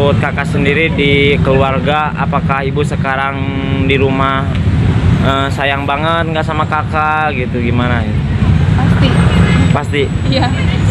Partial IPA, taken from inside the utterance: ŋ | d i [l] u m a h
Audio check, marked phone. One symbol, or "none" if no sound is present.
ɾ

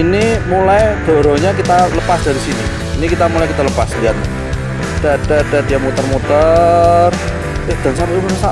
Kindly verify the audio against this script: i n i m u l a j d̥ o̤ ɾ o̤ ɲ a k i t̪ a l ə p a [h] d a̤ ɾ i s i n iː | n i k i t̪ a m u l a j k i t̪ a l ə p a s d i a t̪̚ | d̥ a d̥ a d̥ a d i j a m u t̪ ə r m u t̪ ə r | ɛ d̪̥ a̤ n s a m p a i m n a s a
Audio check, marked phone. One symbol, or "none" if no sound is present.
s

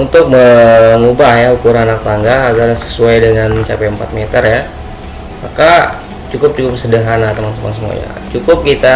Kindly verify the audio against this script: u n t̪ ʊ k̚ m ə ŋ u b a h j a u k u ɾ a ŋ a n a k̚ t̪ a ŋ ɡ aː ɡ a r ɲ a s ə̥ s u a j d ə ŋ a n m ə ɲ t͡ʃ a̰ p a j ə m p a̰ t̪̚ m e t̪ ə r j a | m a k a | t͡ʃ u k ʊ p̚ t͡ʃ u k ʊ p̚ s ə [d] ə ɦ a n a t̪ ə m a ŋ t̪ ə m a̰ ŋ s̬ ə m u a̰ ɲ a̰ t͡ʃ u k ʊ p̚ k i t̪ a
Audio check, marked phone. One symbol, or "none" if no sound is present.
d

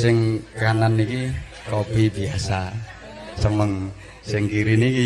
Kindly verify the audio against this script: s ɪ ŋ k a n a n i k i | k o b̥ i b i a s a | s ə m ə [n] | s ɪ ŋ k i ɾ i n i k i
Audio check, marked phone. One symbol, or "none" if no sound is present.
ŋ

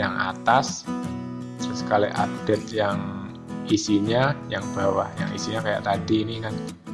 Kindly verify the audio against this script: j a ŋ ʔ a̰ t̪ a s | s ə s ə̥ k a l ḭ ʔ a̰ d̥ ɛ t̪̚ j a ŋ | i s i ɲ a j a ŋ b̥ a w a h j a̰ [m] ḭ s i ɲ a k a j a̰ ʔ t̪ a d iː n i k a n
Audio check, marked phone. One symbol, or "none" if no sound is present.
ŋ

